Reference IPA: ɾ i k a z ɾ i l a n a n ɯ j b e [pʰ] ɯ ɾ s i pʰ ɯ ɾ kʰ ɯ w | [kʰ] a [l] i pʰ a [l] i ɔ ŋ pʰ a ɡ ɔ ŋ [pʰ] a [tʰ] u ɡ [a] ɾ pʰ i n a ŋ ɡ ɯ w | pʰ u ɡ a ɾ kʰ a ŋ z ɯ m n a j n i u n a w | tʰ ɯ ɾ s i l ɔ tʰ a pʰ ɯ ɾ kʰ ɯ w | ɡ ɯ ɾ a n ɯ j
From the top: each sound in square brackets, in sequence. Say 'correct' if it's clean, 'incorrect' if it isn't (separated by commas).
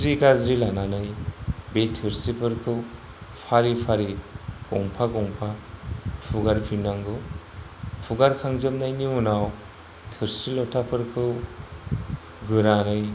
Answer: incorrect, incorrect, incorrect, incorrect, correct, incorrect, correct